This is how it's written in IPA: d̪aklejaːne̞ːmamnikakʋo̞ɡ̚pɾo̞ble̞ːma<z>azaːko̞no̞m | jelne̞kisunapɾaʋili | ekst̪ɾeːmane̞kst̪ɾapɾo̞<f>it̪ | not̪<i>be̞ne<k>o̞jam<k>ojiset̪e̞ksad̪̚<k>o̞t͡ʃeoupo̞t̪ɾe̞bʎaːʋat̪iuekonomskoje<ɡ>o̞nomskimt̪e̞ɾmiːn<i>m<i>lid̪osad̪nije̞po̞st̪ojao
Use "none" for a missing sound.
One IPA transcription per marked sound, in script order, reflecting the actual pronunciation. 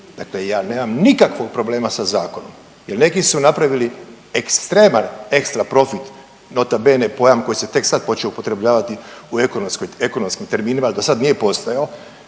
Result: s, f, a, p, k, p, k, i, a

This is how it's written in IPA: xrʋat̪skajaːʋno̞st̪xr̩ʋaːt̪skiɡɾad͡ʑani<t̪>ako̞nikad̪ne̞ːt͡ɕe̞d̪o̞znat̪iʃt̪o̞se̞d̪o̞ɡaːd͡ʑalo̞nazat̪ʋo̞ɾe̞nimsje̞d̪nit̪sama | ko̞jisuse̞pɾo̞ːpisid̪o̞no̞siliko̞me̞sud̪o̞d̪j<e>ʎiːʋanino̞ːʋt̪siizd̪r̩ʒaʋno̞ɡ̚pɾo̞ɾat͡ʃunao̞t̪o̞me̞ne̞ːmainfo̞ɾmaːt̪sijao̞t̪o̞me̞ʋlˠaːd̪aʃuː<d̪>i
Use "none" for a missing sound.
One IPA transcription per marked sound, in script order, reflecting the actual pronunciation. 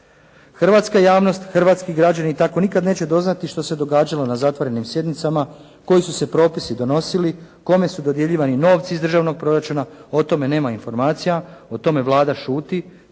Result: t̪, e, t̪

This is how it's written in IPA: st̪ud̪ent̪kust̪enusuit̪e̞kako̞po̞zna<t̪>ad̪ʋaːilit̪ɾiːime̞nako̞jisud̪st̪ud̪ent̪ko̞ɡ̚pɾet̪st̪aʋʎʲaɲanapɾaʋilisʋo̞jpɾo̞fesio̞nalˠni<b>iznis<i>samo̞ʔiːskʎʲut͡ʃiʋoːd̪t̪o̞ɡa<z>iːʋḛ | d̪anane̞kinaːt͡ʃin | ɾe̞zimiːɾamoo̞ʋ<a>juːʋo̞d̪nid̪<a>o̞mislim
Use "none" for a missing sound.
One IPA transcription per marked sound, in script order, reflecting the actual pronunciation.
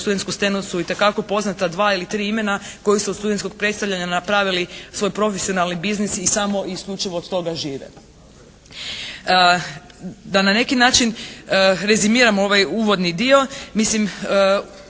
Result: t̪, b, i, ʒ, a, i

